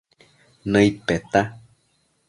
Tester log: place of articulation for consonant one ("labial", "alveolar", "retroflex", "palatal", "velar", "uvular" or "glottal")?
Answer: alveolar